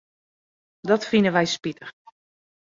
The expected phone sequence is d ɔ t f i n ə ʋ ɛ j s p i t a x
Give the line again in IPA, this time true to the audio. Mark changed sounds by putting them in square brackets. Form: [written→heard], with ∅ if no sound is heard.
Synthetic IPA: d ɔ t f i n ə ʋ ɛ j s p i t [a→ə] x